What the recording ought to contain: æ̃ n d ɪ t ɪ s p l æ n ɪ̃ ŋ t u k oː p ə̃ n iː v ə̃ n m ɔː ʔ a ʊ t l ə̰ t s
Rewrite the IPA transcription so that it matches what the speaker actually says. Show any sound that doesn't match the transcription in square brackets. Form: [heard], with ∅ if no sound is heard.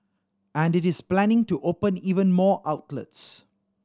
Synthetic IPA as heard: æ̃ n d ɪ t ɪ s p l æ n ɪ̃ ŋ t u [ʔ] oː p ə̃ n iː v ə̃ n m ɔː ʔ a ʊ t l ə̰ t s